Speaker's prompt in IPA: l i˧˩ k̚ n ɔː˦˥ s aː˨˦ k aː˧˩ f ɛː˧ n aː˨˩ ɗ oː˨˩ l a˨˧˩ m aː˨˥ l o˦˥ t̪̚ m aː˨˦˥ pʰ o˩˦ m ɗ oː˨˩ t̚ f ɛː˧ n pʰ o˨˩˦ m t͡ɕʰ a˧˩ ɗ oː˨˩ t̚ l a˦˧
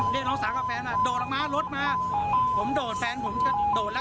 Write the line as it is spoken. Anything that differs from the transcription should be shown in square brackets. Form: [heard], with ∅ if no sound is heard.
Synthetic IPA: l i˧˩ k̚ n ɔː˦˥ s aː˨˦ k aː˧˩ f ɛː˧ n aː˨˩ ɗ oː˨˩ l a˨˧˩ m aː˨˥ l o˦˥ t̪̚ m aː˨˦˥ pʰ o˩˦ m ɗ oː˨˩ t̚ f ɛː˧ n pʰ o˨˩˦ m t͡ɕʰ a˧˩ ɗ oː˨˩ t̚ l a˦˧